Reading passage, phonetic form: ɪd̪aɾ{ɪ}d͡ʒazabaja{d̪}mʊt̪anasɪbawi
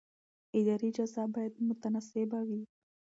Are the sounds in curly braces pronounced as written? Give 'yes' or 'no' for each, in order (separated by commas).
no, yes